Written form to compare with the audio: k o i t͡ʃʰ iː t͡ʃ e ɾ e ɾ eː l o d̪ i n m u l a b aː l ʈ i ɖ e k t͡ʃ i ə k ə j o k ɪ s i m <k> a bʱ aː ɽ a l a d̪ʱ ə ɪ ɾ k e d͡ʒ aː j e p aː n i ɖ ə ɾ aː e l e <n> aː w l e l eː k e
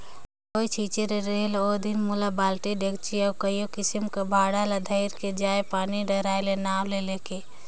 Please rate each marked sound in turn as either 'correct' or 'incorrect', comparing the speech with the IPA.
correct, correct

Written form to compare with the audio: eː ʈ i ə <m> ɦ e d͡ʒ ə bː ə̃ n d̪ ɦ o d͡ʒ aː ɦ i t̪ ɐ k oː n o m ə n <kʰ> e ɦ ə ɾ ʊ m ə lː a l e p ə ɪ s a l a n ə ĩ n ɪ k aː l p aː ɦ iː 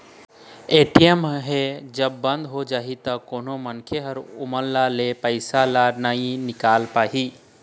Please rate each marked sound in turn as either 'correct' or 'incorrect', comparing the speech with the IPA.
correct, correct

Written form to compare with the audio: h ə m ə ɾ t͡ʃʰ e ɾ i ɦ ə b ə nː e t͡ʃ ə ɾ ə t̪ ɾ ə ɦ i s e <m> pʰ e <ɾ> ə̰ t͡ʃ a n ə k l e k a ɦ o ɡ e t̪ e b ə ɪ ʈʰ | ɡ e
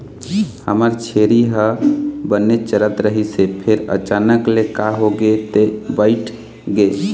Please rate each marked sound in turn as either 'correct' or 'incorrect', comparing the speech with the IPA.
incorrect: none, correct

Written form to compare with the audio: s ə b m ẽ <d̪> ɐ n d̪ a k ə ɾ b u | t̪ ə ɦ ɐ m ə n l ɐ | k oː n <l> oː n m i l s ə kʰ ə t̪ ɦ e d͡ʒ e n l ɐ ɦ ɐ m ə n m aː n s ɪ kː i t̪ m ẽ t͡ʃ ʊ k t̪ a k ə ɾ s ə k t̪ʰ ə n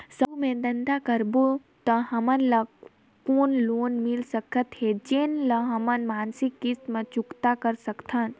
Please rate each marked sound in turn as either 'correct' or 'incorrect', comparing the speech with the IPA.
correct, correct

